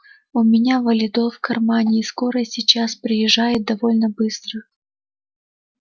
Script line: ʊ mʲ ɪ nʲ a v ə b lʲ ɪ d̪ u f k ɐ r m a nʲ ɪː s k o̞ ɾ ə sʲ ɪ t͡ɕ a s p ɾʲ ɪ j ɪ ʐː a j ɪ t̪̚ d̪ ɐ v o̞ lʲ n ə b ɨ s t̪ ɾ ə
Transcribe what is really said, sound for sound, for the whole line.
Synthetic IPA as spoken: ʊ mʲ ɪ nʲ a v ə lʲ ɪ d̪ o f k ɐ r m a nʲ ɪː s k o̞ ɾ ə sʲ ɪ t͡ɕ a s p ɾʲ ɪ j ɪ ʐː a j ɪ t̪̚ d̪ ɐ v o̞ lʲ n ə b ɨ s t̪ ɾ ə